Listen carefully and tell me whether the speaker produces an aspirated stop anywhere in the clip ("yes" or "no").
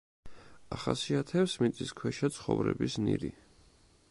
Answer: yes